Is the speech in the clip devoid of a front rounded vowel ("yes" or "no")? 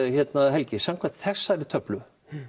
no